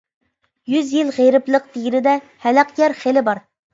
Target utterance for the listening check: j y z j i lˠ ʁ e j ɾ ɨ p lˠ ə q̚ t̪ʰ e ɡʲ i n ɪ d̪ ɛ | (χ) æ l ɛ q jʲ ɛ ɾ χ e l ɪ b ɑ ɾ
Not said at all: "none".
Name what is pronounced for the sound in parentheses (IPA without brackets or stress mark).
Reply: h